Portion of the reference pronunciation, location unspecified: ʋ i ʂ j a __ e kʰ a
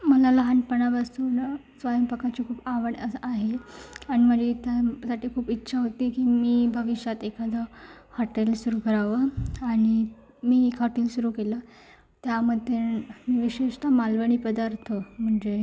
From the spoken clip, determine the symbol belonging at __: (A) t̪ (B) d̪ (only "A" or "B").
A